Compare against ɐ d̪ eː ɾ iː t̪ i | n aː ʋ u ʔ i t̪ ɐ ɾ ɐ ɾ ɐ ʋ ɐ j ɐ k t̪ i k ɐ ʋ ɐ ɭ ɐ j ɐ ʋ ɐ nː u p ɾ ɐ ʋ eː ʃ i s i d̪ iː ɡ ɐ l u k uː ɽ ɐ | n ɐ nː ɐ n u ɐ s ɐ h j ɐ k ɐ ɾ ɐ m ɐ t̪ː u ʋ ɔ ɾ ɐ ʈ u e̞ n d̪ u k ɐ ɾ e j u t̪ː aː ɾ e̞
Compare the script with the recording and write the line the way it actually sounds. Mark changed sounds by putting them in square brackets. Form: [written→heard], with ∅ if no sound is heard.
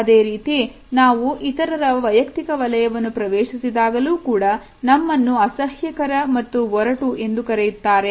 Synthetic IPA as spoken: ɐ d̪ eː ɾ iː t̪ i | n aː ʋ u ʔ i t̪ ɐ ɾ ɐ ɾ ɐ ʋ ɐ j ɐ k t̪ i k ɐ ʋ ɐ [ɭ→l] ɐ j ɐ ʋ ɐ nː u p ɾ ɐ ʋ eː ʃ i s i d̪ [iː→aː] ɡ ɐ l [u→uː] k uː ɽ ɐ | n ɐ [nː→mː] ɐ [n→nː] u ɐ s ɐ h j ɐ k ɐ ɾ ɐ m ɐ t̪ː u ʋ ɔ ɾ ɐ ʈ u e̞ n d̪ u k ɐ ɾ e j u t̪ː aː ɾ e̞